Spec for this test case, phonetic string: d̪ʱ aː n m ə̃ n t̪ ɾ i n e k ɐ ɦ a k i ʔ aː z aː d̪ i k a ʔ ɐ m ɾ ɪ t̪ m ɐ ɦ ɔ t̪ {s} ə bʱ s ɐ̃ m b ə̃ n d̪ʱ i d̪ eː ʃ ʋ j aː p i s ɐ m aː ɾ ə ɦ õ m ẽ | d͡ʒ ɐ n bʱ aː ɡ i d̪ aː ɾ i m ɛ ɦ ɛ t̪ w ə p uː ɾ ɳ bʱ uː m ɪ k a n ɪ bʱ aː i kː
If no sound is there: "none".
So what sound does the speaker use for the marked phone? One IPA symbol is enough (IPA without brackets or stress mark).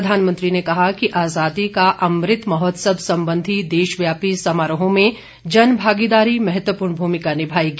s